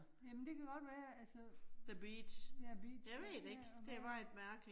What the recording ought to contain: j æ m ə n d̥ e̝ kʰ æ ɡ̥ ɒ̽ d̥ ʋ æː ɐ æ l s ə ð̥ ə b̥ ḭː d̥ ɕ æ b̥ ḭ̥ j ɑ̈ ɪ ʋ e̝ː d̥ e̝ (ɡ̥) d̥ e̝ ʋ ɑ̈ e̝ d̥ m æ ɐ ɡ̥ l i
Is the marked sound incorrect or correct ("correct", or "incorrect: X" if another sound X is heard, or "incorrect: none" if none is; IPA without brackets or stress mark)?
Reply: correct